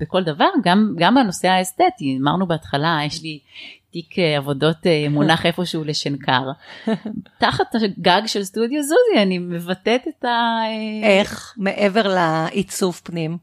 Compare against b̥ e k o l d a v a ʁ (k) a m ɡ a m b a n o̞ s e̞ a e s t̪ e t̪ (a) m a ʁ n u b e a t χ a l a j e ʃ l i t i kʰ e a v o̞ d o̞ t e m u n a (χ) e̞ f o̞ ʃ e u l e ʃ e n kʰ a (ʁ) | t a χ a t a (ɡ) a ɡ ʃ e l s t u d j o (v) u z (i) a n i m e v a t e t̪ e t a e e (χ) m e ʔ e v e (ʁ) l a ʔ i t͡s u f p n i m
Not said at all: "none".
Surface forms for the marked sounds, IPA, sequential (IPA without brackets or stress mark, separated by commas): ɡ, i, χ, ʁ, ɡ, z, i, χ, ʁ